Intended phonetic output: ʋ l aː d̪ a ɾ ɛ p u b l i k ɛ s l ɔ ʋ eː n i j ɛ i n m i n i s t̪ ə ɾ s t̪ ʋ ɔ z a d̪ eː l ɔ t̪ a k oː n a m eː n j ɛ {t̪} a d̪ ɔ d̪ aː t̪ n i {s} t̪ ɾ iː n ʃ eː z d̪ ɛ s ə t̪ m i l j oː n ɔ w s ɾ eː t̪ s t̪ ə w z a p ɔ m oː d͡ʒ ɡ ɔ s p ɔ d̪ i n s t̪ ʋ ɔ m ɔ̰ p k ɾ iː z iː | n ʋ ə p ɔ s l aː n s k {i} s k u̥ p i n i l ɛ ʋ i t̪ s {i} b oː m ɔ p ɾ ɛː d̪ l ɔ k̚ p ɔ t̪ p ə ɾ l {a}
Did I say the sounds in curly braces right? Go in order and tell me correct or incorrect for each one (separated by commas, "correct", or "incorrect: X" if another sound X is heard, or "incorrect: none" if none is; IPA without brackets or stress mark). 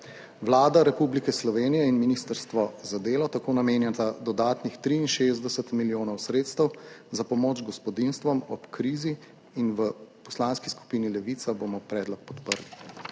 correct, incorrect: x, correct, incorrect: a, incorrect: i